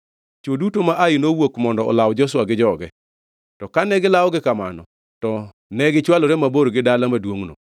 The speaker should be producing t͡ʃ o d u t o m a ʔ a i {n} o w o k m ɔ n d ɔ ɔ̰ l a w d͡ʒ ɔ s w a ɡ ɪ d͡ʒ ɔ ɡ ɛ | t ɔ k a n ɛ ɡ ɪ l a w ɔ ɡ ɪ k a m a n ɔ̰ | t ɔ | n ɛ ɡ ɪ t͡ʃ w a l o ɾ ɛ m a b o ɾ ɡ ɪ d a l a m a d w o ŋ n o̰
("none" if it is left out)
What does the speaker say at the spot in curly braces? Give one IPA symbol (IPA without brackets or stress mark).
n